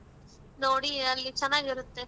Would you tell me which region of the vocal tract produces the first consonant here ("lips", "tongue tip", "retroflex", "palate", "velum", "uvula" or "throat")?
tongue tip